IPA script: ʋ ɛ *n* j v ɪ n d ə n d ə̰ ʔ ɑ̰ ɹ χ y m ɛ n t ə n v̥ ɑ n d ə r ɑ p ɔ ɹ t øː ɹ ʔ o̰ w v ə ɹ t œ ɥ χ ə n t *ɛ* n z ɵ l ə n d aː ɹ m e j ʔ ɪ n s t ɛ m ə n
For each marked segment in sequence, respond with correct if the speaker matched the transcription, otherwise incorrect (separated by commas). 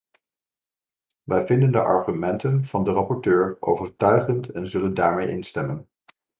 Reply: incorrect, correct